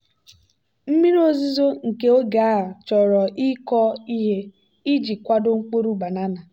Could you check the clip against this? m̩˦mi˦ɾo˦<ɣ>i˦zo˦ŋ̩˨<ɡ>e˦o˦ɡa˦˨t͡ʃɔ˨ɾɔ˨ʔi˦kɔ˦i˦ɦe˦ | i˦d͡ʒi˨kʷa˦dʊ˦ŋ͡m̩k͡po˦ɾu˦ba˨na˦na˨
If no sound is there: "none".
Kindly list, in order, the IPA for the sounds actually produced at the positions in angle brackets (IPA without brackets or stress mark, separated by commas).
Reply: z, k